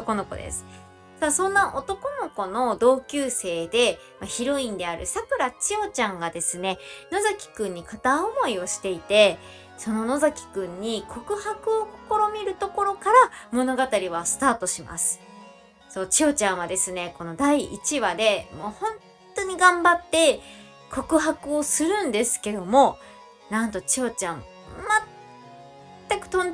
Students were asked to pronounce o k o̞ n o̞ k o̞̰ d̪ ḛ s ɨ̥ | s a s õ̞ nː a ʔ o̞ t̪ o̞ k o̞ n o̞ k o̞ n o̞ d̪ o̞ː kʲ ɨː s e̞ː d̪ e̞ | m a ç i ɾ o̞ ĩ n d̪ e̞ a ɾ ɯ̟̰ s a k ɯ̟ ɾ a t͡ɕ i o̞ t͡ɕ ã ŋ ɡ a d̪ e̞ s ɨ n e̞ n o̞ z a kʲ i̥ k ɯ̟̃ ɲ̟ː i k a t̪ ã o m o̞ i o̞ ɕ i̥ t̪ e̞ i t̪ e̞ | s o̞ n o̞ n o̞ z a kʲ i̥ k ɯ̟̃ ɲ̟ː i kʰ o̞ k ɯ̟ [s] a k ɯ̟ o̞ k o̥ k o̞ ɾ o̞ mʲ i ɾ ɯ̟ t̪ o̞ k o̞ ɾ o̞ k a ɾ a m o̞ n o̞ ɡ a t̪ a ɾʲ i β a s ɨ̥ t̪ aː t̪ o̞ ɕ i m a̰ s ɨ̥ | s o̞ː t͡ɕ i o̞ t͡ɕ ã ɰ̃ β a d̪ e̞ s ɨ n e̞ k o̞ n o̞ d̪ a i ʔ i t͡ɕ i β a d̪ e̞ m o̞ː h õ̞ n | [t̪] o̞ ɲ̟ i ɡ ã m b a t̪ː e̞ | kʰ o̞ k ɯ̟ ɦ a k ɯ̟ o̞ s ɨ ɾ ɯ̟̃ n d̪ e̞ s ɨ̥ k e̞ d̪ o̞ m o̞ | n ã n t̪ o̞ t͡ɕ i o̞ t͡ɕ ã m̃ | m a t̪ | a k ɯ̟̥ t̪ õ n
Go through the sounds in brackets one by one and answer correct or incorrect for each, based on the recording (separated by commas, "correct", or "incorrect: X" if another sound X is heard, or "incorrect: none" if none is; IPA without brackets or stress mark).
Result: incorrect: h, correct